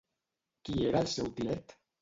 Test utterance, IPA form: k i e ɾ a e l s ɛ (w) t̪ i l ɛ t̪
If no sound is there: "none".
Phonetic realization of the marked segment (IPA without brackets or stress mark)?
w